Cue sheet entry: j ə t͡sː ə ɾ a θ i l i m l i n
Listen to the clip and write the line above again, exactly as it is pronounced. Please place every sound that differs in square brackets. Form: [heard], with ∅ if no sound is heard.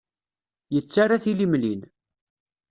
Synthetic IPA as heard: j ə t͡sː [a] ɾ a θ i l i m l i n